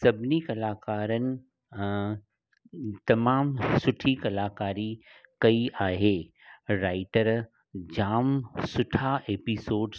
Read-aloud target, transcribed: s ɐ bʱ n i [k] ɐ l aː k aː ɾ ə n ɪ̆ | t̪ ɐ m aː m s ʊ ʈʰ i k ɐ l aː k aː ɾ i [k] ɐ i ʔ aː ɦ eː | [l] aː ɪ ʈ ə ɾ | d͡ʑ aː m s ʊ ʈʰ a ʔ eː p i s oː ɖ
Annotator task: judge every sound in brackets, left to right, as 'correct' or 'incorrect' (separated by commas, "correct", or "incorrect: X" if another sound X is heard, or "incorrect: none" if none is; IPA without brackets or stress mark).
correct, correct, incorrect: ɾ